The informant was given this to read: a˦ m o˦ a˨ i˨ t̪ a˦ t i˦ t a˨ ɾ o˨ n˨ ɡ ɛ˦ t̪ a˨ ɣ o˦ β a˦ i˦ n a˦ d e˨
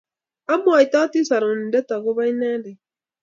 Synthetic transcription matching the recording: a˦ m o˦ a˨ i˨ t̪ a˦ t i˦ s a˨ ɾ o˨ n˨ d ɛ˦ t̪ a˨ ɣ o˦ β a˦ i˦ n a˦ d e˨